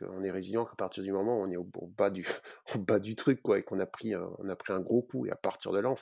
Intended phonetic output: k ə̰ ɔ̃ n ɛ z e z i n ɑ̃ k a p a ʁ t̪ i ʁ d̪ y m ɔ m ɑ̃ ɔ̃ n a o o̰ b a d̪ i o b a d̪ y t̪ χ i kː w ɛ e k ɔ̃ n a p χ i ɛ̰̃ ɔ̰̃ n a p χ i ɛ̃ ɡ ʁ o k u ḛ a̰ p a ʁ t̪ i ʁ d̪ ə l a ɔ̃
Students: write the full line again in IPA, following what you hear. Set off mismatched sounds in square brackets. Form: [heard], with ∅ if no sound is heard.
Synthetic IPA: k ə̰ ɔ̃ n ɛ [ʁ] e z i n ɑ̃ k a p a ʁ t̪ i ʁ d̪ y m ɔ m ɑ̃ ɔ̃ n [ɛ] o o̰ b a d̪ [y] o b a d̪ y t̪ χ [y] kː w [a] e k ɔ̃ n a p χ i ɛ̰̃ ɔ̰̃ n a p χ i ɛ̃ ɡ ʁ o k u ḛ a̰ p a ʁ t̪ i ʁ d̪ ə l a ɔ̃